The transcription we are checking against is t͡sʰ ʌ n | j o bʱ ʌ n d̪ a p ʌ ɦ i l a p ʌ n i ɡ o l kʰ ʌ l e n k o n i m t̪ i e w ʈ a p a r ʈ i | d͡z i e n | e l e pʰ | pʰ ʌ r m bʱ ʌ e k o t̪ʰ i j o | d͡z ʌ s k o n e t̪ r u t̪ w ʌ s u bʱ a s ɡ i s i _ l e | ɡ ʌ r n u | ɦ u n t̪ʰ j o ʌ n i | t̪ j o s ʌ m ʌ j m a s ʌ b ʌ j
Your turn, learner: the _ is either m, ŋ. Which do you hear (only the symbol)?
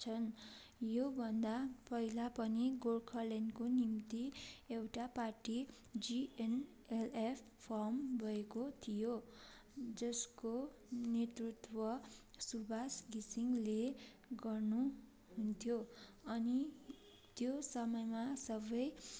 ŋ